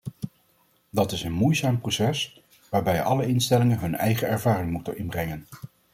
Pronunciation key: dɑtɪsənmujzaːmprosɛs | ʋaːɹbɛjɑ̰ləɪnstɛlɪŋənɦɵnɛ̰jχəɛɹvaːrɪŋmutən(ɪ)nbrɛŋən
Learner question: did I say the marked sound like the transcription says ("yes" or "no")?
yes